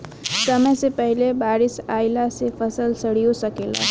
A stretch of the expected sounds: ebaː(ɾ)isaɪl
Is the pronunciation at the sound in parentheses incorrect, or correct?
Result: correct